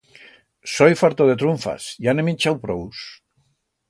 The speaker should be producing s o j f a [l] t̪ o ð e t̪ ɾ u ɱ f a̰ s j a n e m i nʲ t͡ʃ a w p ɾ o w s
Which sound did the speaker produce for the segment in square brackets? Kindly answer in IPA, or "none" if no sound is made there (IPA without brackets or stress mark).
ɾ